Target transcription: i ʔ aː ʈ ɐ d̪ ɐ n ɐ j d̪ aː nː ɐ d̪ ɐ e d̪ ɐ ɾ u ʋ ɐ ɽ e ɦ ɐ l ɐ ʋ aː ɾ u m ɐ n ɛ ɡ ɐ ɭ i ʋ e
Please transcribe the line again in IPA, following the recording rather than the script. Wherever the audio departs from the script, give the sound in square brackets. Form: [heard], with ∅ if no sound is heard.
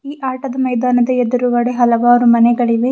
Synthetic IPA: [iː] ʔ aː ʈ ɐ d̪ ɐ [m] ɐ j d̪ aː [n] ɐ d̪ ɐ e d̪ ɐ ɾ u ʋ ɐ ɽ e ɦ ɐ l ɐ ʋ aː ɾ u m ɐ n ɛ ɡ ɐ ɭ i ʋ e